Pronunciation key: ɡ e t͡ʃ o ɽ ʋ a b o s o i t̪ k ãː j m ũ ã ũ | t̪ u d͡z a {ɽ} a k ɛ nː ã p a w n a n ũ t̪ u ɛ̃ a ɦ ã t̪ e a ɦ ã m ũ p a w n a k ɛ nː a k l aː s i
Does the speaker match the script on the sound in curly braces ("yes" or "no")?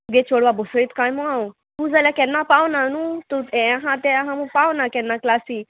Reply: no